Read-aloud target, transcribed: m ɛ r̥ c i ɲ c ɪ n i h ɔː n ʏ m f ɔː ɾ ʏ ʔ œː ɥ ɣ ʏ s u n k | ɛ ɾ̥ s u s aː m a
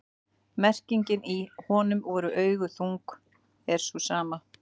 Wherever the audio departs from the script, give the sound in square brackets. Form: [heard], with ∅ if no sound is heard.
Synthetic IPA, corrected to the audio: m ɛ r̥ c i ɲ c ɪ n i h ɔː n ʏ m [v] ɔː ɾ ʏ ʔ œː ɥ ɣ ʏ [θ] u [ŋ] k | ɛ ɾ̥ s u s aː m a